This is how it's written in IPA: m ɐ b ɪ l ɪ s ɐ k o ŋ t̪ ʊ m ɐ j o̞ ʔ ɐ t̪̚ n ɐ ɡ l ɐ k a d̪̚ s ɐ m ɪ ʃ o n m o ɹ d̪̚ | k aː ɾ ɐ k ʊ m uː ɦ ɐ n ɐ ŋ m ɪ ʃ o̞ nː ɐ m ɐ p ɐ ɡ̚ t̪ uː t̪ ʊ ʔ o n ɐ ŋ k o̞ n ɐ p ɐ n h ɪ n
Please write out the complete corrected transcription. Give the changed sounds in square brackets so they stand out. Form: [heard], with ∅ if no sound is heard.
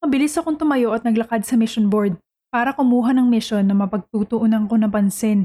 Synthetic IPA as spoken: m ɐ b ɪ l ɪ s ɐ k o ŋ t̪ ʊ m ɐ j o̞ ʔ ɐ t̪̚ n ɐ ɡ l ɐ k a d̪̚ s ɐ m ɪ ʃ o n [b] o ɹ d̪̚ | [p] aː ɾ ɐ k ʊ m uː ɦ ɐ n ɐ ŋ m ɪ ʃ o̞ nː ɐ m ɐ p ɐ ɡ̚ t̪ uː t̪ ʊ ʔ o n ɐ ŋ k o̞ n ɐ p ɐ n [s] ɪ n